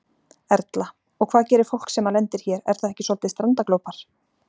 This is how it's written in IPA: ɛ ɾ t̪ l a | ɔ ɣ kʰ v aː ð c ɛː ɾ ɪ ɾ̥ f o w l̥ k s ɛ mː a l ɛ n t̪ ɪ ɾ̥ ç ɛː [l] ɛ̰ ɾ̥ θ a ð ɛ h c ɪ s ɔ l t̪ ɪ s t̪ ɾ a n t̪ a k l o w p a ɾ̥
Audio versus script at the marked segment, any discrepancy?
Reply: yes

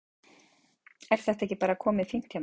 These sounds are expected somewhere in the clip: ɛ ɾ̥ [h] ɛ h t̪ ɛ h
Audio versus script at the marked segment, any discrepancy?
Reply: yes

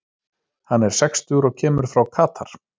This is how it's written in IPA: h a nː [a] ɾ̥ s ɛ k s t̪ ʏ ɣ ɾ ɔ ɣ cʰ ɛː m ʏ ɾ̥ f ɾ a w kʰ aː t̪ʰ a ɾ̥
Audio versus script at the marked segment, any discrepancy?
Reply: yes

